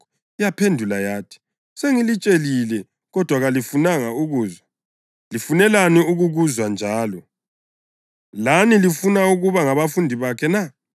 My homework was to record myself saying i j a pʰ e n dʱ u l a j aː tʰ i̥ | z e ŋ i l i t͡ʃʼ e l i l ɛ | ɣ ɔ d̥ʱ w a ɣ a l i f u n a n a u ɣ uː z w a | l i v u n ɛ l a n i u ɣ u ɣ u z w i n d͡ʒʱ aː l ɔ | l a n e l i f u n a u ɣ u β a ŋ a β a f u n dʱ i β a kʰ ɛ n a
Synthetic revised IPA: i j a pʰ e n dʱ u l a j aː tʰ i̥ | s e ŋ i l i t͡ʃʼ e l i l ɛ | ɣ ɔ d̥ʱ w a ɣ a l i f u n a ŋ a u ɣ uː z w a | l i f u n ɛ l a n i u ɣ u ɣ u z w a n d͡ʒʱ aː l ɔ | l a n i l i f u n a u ɣ u β a ŋ a β a f u n dʱ i β a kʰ ɛ n a

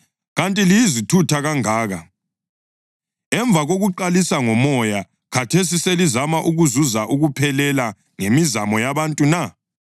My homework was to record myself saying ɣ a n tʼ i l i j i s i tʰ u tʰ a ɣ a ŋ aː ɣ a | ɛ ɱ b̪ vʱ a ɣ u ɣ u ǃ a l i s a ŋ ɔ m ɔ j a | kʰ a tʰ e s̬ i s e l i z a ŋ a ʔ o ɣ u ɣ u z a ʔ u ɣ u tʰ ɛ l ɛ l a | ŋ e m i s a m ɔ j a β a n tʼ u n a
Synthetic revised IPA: ɣ a n tʼ i l i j i z i tʰ u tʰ a ɣ a ŋ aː ɣ a | ɛ ɱ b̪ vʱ a ɣ o ɣ u ǃ a l i s a ŋ ɔ m ɔ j a | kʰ a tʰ e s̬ i s e l i z a m a ʔ u ɣ u z u z a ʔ u ɣ u pʰ ɛ l ɛ l a | ŋ e m i z a m ɔ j a β a n tʼ u n a

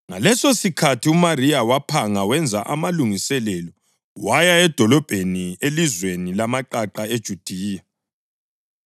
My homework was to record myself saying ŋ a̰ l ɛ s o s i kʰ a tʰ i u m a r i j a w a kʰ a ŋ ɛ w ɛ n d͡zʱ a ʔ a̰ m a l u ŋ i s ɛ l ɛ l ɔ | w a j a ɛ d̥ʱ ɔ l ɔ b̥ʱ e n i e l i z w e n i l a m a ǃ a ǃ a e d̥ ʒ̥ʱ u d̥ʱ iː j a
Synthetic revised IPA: ŋ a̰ l ɛ s o s i kʰ a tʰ i u m a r i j a w a pʰ a ŋ a w ɛ n d͡zʱ a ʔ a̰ m a l u ŋ i s ɛ l ɛ l ɔ | w a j a ɛ d̥ʱ ɔ l ɔ b̥ʱ e n i e l i z w e n i l a m a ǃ a ǃ a e d̥ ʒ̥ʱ u d̥ʱ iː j a

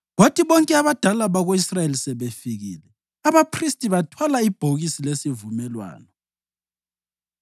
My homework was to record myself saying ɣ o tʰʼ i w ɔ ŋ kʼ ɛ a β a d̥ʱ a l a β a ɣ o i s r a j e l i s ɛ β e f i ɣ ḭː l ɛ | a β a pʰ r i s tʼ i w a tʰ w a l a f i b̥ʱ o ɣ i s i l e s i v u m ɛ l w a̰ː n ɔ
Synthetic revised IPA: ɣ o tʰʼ i β ɔ ŋ kʼ ɛ a β a d̥ʱ a l a β a ɣ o i s r a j e l i s ɛ β e f i ɣ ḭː l ɛ | a β a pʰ r i s tʼ i β a tʰ w a l a i b̥ʱ o ɣ i s i l e s i v u m ɛ l w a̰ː n ɔ

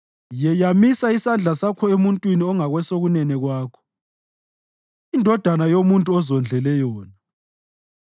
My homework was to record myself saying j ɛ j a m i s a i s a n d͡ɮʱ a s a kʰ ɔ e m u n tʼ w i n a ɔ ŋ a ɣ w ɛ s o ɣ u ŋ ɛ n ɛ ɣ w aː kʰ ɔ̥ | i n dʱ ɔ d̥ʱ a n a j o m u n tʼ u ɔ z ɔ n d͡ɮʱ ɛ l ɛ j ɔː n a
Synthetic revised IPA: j ɛ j a m i s a i s a n d͡ɮʱ a s a kʰ ɔ e m u n tʼ w i n i ɔ ŋ a ɣ w ɛ s o ɣ u n ɛ n ɛ ɣ w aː kʰ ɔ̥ | i n dʱ ɔ d̥ʱ a n a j o m u n tʼ u ɔ z ɔ n d͡ɮʱ ɛ l ɛ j ɔː n a

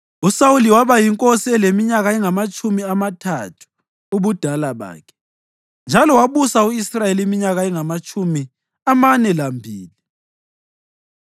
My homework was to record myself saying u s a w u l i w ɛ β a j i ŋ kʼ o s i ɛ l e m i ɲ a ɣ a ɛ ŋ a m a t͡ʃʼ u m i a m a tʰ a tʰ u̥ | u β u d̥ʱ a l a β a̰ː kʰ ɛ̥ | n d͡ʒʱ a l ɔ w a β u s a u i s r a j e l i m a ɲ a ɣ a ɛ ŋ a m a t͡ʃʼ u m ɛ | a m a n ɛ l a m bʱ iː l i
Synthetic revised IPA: u s a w u l i w a β a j i ŋ kʼ o s i ɛ l e m i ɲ a ɣ a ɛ ŋ a m a t͡ʃʼ u m i a m a tʰ a tʰ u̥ | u β u d̥ʱ a l a β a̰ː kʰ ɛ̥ | n d͡ʒʱ a l ɔ w a β u s a u i s r a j e l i m i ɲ a ɣ a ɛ ŋ a m a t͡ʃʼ u m i | a m a n ɛ l a m bʱ iː l i

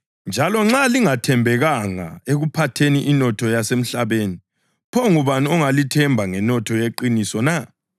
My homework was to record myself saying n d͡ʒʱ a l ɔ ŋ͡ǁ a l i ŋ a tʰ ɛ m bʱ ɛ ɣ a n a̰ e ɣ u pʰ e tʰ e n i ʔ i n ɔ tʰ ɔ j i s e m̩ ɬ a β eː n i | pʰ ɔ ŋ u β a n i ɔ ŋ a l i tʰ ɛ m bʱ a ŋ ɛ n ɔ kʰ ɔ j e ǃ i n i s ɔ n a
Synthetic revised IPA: n d͡ʒʱ a l ɔ ŋ͡ǁ a l i ŋ a tʰ ɛ m bʱ ɛ ɣ a ŋ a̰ e ɣ u pʰ a tʰ e n i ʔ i n ɔ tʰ ɔ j a s e m̩ ɬ a β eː n i | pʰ ɔ ŋ u β a n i ɔ ŋ a l i tʰ ɛ m bʱ a ŋ ɛ n ɔ tʰ ɔ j e ǃ i n i s ɔ n a

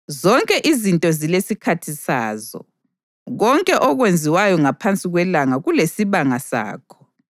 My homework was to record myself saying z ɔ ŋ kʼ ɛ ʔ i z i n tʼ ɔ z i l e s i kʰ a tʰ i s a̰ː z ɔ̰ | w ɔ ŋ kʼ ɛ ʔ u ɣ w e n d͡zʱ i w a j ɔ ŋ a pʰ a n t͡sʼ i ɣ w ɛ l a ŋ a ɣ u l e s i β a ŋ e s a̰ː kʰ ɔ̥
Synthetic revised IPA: z ɔ ŋ kʼ ɛ ʔ i z i n tʼ ɔ z i l e s i kʰ a tʰ i s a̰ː z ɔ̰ | ɣ ɔ ŋ kʼ ɛ ʔ ɔ ɣ w e n d͡zʱ i w a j ɔ ŋ a pʰ a n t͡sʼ i ɣ w ɛ l a ŋ a ɣ u l e s i β a ŋ a s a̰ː kʰ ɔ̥

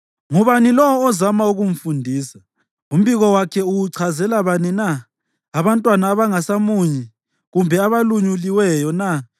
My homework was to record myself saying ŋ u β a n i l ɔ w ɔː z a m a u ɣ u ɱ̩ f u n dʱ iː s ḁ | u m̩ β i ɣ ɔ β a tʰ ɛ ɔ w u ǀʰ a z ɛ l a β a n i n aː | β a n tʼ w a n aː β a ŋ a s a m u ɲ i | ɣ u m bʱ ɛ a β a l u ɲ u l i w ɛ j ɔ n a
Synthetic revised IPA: ŋ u β a n i l ɔ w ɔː z a m a u ɣ u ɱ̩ f u n dʱ iː s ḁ | u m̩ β i ɣ ɔ w a kʰ ɛ u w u ǀʰ a z ɛ l a β a n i n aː | β a n tʼ w a n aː β a ŋ a s a m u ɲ i | ɣ u m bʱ ɛ a β a l u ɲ u l i w ɛ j ɔ n a

